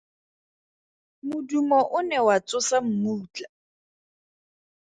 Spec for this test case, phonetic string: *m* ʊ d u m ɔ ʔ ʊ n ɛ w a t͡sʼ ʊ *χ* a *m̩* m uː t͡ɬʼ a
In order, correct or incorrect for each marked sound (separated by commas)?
correct, incorrect, correct